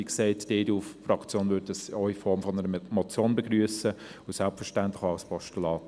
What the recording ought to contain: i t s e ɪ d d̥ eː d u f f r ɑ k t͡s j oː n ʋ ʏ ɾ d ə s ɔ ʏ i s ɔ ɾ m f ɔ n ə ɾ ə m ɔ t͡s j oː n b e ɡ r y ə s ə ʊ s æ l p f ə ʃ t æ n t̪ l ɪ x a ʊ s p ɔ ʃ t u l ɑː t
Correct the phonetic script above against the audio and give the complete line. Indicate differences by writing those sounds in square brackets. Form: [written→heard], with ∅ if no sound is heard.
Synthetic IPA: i [t→k] s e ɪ [d→t] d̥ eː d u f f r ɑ k t͡s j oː n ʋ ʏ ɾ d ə s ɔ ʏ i [s→f] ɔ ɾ m f ɔ n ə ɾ ə m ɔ t͡s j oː n b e ɡ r y ə s ə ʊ s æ l p f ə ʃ t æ n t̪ l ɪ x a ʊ s p ɔ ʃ t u l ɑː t